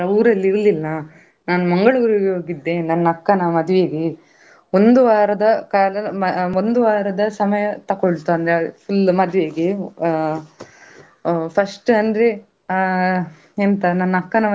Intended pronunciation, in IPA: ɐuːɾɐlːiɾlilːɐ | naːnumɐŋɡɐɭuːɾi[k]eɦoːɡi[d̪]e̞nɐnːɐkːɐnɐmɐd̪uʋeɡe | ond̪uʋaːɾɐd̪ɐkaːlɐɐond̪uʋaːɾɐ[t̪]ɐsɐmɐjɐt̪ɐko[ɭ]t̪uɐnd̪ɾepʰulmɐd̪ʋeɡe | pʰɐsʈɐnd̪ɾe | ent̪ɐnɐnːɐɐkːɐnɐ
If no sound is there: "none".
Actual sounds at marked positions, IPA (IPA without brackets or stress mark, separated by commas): ɡ, d̪ː, d̪, ɭ